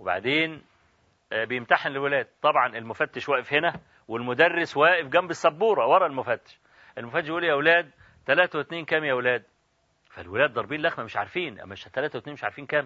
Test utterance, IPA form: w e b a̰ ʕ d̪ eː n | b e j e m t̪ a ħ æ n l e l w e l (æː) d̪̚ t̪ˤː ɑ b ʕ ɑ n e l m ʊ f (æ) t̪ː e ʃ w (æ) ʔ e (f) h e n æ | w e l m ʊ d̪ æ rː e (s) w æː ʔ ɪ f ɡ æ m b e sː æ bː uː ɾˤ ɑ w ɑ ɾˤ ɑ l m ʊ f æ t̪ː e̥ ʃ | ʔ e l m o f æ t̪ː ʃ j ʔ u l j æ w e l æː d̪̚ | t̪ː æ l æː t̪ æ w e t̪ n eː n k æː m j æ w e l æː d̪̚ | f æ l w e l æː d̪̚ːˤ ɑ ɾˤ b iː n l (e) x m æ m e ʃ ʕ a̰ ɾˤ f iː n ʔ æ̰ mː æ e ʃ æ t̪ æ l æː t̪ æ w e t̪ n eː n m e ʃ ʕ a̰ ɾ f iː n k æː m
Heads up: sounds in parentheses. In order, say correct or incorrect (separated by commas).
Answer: correct, correct, incorrect, correct, correct, incorrect